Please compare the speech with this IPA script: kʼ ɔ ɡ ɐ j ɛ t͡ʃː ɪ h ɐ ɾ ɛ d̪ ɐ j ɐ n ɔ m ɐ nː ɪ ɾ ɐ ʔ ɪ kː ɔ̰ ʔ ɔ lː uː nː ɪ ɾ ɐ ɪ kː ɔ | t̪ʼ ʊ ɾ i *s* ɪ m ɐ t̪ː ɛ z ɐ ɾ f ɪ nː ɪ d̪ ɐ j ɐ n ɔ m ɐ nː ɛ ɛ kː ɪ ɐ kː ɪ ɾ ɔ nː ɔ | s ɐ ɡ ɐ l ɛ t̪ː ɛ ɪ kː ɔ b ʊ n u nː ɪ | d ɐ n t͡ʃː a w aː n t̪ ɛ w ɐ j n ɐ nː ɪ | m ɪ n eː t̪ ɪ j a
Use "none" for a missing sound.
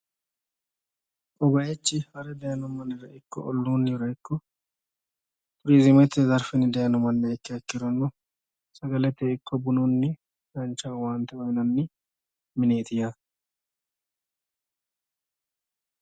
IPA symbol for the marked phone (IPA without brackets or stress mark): z